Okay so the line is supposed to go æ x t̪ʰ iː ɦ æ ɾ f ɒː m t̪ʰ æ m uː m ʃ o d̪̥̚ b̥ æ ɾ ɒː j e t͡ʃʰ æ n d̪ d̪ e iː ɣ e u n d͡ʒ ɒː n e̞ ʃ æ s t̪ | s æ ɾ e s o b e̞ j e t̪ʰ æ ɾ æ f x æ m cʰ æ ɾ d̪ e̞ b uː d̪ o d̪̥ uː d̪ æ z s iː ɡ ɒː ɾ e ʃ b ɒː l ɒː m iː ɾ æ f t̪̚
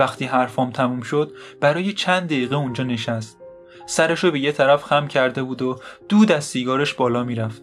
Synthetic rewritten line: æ x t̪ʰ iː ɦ æ ɾ f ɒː m t̪ʰ æ m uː m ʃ o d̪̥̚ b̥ æ ɾ ɒː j e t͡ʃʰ æ n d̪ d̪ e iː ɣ e u n d͡ʒ ɒː n e̞ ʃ æ s t̪ | s æ ɾ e ʃ o b e̞ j e t̪ʰ æ ɾ æ f x æ m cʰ æ ɾ d̪ e̞ b uː d̪ o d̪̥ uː d̪ æ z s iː ɡ ɒː ɾ e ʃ b ɒː l ɒː m iː ɾ æ f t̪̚